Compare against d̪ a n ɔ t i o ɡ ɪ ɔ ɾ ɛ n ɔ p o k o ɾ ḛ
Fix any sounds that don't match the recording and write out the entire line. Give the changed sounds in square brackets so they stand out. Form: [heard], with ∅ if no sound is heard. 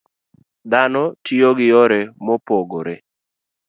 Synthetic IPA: d̪ a n ɔ t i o ɡ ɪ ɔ ɾ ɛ [m] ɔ p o [ɡ] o ɾ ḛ